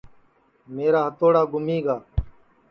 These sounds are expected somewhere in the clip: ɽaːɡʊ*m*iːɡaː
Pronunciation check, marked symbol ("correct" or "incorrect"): correct